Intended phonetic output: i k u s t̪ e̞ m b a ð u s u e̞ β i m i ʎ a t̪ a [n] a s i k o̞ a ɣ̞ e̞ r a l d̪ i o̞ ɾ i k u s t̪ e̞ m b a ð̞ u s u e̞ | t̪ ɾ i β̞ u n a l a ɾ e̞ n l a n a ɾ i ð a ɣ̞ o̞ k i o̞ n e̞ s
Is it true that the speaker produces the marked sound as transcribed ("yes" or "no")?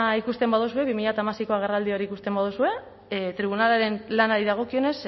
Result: no